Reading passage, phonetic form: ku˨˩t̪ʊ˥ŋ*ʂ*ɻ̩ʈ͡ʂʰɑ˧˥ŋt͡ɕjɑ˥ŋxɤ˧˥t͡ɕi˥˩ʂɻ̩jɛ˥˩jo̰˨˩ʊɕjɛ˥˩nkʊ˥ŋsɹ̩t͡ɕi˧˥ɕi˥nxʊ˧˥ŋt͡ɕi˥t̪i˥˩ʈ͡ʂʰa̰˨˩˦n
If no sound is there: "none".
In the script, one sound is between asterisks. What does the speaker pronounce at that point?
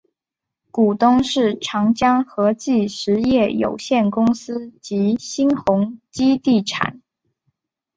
ʂ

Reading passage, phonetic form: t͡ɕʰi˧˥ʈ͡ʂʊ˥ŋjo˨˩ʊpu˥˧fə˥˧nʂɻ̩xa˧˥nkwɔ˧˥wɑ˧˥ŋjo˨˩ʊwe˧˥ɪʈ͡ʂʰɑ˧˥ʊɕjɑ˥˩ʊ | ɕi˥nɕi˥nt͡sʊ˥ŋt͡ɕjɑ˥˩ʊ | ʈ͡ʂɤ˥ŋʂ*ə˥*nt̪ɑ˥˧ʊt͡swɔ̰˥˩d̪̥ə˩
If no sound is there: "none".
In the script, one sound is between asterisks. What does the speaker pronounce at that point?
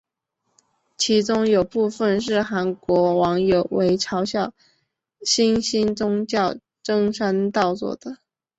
a˥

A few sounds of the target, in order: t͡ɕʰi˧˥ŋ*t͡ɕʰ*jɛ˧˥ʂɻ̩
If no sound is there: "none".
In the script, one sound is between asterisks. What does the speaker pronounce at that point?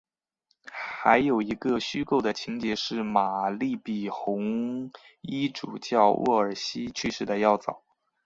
t͡ɕ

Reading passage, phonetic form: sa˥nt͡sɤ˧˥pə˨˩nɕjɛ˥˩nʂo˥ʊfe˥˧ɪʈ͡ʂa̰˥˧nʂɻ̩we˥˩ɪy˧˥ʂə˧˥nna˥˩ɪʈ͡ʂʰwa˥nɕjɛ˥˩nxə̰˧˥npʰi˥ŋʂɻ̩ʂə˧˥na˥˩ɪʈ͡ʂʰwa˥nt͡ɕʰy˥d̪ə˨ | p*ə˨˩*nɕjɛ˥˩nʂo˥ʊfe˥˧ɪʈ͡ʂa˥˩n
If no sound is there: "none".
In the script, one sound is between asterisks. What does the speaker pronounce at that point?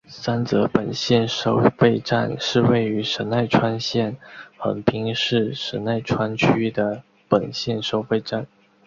ə˨˩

